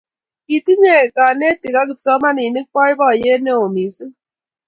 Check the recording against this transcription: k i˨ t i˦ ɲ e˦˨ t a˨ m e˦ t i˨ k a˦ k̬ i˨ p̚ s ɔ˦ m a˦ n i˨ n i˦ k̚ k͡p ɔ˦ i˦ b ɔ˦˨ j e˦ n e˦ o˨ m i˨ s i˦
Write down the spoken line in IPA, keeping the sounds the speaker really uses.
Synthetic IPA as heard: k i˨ t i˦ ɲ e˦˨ k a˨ n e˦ t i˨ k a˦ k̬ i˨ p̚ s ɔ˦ m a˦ n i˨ n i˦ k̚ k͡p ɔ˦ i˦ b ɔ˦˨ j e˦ n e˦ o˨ m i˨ s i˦